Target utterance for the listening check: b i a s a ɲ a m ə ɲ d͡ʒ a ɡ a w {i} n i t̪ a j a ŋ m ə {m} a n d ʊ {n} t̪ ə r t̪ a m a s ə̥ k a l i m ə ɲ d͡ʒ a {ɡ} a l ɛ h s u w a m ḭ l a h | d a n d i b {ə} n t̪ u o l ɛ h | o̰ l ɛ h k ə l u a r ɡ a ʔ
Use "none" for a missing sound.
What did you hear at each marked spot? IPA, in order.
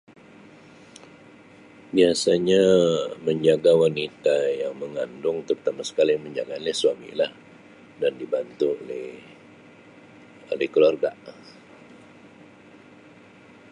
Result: a, ŋ, ŋ, ɡ, a

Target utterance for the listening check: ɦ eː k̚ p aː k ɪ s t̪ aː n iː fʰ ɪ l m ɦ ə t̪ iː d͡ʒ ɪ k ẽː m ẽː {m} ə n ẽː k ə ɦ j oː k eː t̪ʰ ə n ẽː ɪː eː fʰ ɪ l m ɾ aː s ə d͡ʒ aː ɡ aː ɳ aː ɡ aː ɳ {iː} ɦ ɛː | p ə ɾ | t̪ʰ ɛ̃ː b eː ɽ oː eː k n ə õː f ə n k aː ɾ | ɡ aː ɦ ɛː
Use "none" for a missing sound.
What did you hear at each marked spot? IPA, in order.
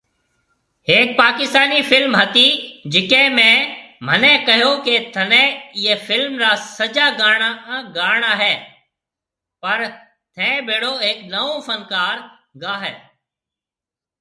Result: m, aː

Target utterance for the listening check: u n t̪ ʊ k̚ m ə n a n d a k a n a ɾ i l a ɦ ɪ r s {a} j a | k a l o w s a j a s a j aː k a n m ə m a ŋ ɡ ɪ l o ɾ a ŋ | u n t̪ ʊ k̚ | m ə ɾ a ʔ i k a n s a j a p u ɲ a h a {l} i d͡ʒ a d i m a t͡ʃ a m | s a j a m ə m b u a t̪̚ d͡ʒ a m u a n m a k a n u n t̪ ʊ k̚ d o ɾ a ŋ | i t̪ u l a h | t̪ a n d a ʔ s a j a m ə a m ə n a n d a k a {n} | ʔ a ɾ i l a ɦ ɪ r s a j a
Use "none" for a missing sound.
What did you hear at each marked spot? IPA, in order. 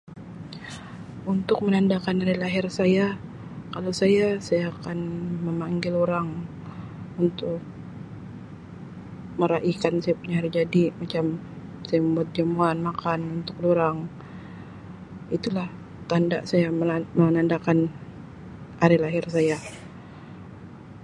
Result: a, ɾ, n

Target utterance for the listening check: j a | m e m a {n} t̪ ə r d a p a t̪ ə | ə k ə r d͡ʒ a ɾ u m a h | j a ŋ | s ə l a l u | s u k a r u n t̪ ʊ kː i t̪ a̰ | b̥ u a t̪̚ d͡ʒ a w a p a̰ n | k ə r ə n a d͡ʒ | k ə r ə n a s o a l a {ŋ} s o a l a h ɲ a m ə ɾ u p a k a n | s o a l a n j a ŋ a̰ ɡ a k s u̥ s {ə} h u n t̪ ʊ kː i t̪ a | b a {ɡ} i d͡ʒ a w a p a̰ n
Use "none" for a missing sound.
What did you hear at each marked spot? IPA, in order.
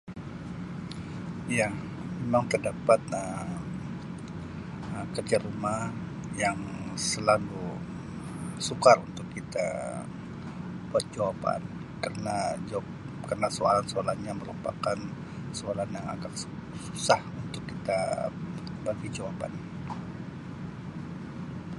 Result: ŋ, n, a, ɡ

